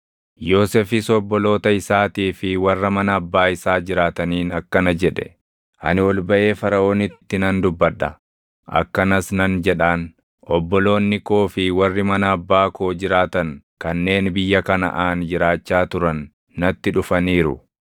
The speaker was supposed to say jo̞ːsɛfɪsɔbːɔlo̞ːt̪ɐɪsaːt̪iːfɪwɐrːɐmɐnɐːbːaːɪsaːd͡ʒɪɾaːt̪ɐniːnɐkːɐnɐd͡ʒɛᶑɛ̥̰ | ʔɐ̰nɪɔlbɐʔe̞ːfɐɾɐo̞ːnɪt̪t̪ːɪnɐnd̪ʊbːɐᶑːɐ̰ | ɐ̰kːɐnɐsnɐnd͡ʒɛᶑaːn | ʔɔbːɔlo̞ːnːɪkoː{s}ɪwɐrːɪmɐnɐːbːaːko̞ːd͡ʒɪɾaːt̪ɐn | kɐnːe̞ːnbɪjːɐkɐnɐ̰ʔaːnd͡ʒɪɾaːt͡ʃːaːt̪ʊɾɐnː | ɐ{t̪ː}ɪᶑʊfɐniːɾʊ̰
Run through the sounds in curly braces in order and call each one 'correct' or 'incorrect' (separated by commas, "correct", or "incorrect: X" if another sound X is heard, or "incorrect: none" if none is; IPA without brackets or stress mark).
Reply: incorrect: f, correct